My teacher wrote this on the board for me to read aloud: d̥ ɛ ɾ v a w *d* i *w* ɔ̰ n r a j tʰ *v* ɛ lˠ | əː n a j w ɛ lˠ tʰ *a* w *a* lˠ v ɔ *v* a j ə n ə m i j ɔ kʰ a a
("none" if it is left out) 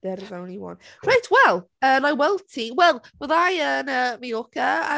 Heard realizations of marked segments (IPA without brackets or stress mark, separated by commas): n, w, w, i, ɛ, ð